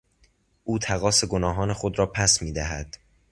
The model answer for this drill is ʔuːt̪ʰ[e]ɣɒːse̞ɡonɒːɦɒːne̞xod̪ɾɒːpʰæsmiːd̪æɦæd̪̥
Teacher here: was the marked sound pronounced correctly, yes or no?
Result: no